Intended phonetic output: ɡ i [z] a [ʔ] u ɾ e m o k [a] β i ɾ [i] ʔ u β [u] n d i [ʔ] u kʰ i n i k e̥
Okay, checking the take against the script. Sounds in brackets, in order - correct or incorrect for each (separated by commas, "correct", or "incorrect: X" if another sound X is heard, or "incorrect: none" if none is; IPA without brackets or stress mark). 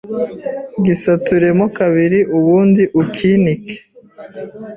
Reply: incorrect: s, incorrect: t, correct, correct, incorrect: uː, correct